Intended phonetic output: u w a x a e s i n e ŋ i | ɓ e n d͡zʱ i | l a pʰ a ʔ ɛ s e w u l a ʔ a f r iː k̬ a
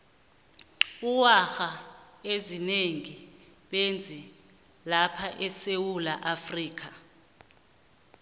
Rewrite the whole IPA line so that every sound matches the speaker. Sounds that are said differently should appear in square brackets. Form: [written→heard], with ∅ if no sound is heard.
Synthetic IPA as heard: u w a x a e [s→z] i n e ŋ i | ɓ e n d͡zʱ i | l a pʰ a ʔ ɛ s e w u l a ʔ a f r iː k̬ a